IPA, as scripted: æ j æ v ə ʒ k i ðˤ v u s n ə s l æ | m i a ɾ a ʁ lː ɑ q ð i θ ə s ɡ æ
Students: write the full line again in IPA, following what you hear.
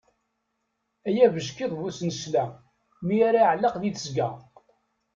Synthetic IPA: æ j æ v ə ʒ k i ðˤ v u s n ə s l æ | m i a ɾ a ʕ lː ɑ q ð i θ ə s ɡ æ

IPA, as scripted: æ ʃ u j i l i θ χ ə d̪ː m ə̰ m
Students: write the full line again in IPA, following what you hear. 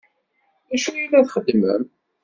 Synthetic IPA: æ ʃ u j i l æ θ χ ə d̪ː m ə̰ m

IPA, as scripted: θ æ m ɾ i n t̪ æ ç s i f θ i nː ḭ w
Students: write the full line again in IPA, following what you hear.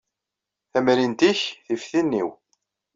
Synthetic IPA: θ æ m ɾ i n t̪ i ç θ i f θ i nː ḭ w

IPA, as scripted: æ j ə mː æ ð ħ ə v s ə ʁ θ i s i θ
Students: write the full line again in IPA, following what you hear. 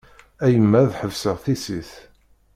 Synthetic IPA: æ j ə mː æ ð ħ ə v s ə ʁ θ i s i θ

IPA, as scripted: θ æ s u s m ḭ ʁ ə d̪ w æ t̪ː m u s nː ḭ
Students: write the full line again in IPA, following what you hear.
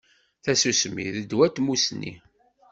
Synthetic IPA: θ æ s u s m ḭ ð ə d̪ w æ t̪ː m u s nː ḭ

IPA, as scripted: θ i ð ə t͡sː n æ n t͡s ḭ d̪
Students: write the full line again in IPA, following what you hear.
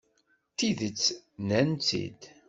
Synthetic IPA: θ i ð ə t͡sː n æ n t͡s ḭ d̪

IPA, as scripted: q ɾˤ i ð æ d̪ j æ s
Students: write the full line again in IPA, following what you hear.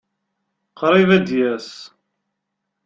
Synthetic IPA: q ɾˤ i v æ d̪ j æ s

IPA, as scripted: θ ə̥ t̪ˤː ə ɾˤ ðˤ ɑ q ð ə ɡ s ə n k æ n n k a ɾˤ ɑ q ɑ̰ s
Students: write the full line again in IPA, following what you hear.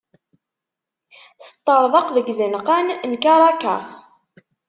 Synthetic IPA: θ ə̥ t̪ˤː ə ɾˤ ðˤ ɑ q ð ə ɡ z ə n q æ n n k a ɾˤ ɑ k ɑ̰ s

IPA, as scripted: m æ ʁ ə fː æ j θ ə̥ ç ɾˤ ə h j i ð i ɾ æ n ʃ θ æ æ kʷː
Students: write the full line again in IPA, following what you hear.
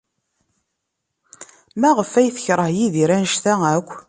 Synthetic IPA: m æ ʁ ə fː æ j θ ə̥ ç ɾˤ ə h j i ð i ɾ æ n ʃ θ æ æ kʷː

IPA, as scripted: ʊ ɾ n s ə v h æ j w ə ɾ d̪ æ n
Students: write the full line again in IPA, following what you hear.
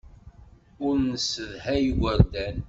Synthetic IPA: ʊ ɾ n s ə ð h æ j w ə ɾ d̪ æ n

